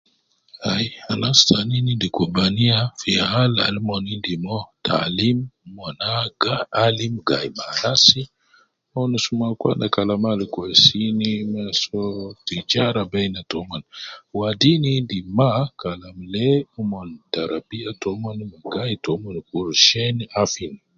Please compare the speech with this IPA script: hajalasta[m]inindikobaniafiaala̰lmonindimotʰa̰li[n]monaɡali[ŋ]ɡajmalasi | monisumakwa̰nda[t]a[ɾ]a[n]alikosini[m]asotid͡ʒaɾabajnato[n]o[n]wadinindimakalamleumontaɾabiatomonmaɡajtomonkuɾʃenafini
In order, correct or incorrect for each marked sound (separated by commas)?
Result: incorrect, incorrect, incorrect, incorrect, incorrect, incorrect, correct, incorrect, correct